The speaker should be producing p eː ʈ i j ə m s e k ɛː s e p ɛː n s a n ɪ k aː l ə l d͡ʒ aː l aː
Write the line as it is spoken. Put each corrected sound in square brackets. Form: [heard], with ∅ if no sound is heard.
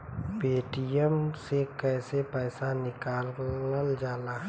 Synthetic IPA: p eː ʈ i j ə m s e k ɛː s e p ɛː [∅] s a n ɪ k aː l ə l d͡ʒ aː l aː